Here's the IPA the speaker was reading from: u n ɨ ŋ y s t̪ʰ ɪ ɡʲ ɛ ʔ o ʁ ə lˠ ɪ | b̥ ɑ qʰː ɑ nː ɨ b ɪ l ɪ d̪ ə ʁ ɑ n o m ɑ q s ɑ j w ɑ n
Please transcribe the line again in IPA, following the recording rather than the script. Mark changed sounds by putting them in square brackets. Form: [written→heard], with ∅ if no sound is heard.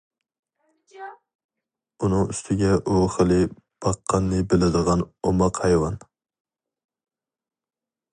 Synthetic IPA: u n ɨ ŋ y s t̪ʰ ɪ ɡʲ ɛ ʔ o [ʁ→χ] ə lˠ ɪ | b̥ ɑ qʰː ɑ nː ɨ b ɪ l ɪ d̪ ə ʁ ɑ n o m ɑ q [s→h] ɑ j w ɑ n